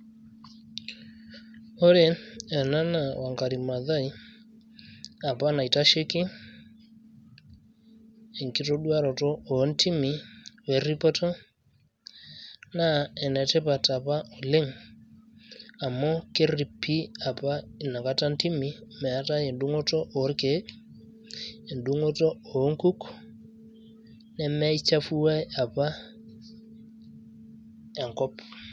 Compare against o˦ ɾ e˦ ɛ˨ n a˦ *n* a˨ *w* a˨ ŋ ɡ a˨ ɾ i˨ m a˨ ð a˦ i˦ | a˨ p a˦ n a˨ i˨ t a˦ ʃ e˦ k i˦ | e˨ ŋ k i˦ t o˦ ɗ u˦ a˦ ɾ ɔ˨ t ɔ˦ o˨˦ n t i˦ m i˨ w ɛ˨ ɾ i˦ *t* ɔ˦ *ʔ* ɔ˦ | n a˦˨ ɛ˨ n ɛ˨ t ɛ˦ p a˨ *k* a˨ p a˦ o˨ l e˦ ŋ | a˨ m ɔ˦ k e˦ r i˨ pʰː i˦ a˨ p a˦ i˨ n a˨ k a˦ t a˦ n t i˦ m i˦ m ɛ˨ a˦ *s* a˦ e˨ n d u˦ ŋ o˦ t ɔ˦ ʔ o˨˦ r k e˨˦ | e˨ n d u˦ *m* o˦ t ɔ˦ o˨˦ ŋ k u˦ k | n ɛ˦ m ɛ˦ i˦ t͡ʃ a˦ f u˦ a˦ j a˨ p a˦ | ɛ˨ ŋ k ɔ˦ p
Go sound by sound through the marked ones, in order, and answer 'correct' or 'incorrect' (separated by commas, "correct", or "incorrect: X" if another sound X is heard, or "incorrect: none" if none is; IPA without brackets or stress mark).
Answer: correct, correct, incorrect: p, incorrect: t, incorrect: t, incorrect: t, incorrect: ŋ